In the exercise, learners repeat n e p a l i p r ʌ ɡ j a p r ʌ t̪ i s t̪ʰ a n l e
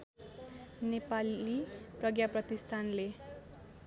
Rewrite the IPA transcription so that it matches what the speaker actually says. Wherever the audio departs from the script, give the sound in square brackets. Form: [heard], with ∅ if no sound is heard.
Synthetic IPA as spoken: n e p a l i p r ʌ ɡ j a p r ʌ t̪ i s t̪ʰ a n l e